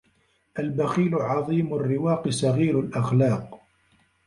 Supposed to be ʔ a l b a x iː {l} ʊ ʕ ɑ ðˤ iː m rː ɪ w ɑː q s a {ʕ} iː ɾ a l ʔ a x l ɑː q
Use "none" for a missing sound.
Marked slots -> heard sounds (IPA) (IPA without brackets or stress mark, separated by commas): l, ɣ